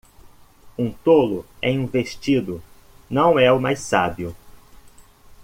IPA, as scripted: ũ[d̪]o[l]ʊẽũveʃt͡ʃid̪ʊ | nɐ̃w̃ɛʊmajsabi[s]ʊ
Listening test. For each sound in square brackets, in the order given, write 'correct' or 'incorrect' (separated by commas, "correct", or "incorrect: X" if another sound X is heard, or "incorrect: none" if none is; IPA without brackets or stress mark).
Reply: incorrect: t̪, correct, incorrect: none